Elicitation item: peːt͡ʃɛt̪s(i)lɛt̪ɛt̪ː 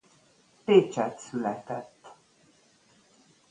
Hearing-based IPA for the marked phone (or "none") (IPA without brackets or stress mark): y